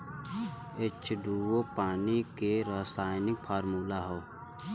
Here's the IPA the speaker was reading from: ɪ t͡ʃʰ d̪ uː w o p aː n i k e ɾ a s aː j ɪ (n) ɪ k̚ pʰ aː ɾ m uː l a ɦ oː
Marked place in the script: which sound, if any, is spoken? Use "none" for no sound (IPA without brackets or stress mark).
n